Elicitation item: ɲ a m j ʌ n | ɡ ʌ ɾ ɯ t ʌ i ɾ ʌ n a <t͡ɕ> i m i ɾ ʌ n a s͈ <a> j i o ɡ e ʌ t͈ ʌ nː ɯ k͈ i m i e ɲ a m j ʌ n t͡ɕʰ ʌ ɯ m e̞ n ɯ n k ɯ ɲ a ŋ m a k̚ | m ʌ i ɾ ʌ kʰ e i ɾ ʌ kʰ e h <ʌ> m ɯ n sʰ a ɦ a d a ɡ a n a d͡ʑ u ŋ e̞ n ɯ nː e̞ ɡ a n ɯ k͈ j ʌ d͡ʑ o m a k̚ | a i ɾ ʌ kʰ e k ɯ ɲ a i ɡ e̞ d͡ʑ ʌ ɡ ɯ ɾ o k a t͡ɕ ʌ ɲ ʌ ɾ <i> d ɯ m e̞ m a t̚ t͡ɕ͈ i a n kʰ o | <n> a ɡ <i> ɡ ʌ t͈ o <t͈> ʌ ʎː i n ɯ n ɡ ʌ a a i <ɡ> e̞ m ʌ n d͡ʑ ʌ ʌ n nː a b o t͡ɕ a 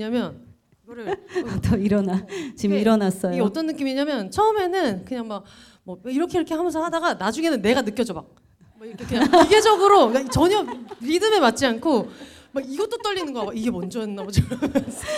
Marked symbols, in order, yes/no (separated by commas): yes, no, no, yes, no, yes, yes, yes